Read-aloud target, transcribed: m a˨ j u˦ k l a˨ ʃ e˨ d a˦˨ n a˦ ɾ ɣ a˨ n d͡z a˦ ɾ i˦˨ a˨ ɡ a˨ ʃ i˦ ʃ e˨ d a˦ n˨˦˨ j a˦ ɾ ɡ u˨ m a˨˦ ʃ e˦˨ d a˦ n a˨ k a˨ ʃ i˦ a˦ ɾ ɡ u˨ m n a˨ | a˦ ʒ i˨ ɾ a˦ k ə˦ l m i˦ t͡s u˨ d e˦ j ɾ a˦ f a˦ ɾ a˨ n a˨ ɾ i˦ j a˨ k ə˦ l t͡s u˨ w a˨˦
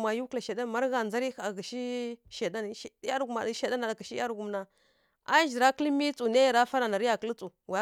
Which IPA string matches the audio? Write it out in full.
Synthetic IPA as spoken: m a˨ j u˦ k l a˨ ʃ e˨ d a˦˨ m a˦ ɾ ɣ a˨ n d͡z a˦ ɾ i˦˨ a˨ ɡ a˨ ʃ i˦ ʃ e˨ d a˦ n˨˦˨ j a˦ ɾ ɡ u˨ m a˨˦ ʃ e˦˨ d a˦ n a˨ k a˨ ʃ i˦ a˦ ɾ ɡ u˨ m n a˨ | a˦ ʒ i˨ ɾ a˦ k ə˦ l m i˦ t͡s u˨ n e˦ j ɾ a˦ f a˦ ɾ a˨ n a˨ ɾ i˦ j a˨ k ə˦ l t͡s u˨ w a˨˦